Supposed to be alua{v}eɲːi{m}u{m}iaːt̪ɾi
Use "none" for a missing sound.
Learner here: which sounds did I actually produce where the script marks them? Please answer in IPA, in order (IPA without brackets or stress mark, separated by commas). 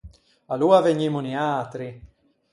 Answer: v, m, n